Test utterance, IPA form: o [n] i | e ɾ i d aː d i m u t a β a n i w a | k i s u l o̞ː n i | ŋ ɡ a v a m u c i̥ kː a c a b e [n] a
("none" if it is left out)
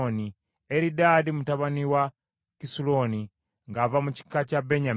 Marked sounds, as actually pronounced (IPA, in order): n, ɲ

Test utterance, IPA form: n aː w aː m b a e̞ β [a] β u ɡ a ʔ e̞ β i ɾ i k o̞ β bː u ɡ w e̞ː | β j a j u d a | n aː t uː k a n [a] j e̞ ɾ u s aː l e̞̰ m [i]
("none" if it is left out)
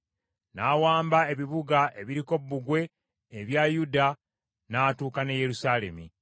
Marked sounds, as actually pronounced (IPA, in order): i, e, i

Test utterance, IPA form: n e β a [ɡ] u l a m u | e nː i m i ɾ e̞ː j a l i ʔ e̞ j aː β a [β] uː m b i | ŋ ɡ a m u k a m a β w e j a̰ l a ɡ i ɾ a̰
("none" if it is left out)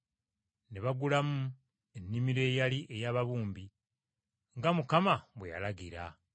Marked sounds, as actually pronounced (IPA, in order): ɡ, β

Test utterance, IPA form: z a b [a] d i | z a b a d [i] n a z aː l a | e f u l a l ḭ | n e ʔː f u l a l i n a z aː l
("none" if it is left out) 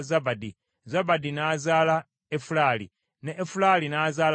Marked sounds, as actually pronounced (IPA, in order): a, i

